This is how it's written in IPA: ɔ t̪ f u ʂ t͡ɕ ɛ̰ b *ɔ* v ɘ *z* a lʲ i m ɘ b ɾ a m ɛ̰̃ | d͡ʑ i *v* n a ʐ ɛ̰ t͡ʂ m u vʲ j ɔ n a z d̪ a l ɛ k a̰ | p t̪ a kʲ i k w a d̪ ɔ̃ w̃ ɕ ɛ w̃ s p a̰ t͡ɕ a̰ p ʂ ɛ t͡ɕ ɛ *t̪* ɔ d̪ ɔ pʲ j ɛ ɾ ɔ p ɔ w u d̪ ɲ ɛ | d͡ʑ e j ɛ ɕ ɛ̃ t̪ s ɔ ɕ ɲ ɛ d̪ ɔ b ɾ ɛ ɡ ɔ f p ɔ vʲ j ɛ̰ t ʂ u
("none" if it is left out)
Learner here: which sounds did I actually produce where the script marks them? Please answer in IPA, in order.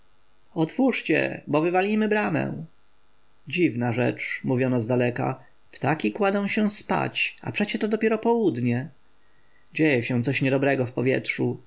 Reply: ɔ, v, v, t̪

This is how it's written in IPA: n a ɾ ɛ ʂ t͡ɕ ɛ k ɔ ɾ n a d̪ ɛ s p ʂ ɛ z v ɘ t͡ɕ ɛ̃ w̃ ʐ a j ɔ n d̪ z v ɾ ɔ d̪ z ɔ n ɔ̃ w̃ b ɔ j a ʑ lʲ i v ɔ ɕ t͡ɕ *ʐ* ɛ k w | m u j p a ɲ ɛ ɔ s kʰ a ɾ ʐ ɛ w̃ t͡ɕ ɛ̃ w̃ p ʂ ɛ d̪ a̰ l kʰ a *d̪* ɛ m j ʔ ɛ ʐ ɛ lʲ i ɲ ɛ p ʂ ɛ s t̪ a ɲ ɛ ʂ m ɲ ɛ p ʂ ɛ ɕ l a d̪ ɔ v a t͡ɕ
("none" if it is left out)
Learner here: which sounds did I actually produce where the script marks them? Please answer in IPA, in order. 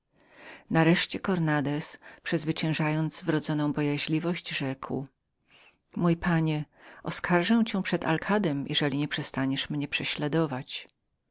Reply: ʐ, d̪

